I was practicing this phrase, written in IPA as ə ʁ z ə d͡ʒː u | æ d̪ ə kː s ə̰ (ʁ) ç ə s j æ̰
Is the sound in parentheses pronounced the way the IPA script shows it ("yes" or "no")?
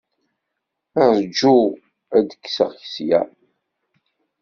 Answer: yes